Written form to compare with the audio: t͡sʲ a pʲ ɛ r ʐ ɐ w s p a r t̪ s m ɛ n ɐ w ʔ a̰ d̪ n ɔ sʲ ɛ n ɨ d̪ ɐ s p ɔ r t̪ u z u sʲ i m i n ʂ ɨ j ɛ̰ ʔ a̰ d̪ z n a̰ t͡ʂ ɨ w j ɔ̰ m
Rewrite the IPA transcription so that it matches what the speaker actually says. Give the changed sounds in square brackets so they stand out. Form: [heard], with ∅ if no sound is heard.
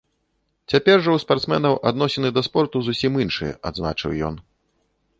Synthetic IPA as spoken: t͡sʲ a pʲ ɛ r ʐ ɐ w s p a r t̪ s m ɛ n ɐ w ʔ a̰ d̪ n ɔ sʲ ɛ n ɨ d̪ ɐ s p ɔ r t̪ u z u sʲ i m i n ʂ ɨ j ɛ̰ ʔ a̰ d̪ z n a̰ t͡ʂ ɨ w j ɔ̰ [n]